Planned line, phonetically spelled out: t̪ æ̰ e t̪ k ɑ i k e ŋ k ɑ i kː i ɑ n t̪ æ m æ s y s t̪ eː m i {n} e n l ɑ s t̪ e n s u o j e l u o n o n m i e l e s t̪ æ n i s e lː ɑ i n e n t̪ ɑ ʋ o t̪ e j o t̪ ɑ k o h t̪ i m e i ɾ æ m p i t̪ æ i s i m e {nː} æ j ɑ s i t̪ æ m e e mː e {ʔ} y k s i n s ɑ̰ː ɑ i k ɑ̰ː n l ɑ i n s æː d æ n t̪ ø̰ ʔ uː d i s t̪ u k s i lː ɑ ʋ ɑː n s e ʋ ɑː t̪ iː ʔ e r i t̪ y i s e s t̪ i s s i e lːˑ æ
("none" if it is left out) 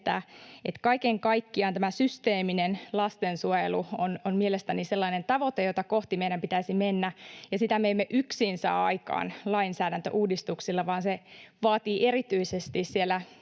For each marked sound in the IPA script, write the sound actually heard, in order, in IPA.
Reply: n, nː, ʔ

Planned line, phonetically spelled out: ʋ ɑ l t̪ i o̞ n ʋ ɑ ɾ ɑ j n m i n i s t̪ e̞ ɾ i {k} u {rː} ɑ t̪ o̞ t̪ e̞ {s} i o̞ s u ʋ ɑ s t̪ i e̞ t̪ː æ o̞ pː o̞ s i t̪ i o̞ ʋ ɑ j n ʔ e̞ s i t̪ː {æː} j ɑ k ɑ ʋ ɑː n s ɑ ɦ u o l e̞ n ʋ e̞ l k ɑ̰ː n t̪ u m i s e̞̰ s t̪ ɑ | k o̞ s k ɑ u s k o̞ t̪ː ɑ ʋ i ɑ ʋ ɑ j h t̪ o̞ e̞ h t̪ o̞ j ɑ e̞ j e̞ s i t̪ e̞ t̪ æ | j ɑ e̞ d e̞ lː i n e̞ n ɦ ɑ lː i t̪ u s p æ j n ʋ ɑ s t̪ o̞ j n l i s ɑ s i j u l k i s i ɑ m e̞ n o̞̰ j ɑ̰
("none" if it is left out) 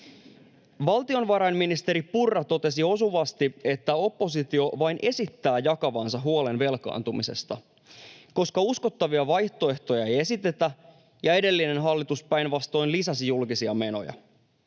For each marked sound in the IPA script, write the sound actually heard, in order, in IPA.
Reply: p, rː, s, æː

